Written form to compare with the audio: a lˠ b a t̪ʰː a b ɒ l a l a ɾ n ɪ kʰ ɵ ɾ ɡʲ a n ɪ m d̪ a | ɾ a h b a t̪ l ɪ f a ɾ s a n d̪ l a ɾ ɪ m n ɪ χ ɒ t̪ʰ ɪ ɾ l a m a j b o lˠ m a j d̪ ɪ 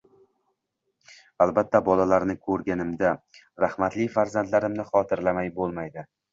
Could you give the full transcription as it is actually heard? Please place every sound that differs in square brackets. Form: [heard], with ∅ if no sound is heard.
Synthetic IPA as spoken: a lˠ b a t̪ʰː a b ɒ l a l a ɾ n ɪ kʰ ɵ ɾ ɡʲ a n ɪ m d̪ a | ɾ a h [m] a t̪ l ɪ f a ɾ [z] a n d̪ l a ɾ ɪ m n ɪ χ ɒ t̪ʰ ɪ ɾ l a m a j b o lˠ m a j d̪ ɪ